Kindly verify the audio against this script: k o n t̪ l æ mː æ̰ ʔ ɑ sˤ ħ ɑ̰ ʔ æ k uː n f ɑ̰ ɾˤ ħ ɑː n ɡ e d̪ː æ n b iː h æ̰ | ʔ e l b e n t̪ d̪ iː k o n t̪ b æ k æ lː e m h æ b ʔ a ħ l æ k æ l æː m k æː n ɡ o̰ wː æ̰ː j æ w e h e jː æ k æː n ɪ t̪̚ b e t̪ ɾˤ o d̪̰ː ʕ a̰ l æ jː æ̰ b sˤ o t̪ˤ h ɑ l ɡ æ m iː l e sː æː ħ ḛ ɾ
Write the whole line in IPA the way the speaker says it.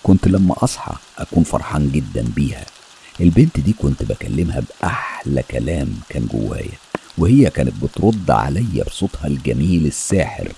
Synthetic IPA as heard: k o n t̪ l æ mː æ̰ ʔ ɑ sˤ ħ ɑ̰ ʔ æ k uː n f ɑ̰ ɾˤ ħ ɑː n ɡ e d̪ː æ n b iː h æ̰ | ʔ e l b e n t̪ d̪ iː k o n t̪ b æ k æ lː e m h æ b ʔ a ħ l æ k æ l æː m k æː n ɡ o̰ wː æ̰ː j æ w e h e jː æ k æː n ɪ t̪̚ b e t̪ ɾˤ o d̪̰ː ʕ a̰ l æ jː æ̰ b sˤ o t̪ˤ h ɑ l ɡ æ m iː l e sː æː ħ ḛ ɾ